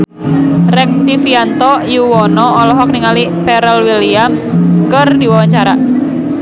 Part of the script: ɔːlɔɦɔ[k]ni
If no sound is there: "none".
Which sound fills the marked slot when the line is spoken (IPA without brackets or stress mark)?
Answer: k